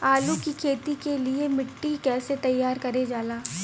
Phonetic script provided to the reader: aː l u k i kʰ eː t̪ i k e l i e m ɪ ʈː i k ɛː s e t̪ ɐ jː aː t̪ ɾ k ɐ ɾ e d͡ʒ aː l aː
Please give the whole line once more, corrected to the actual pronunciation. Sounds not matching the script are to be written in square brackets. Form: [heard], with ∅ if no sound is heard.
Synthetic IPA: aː l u k i kʰ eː t̪ i k e l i e m ɪ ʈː i k ɛː s e t̪ ɐ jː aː [∅] ɾ k ɐ ɾ e d͡ʒ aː l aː